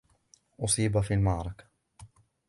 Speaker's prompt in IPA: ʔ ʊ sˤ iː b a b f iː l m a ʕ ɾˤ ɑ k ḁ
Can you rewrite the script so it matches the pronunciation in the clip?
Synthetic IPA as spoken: ʔ ʊ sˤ iː b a f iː l m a ʕ ɾˤ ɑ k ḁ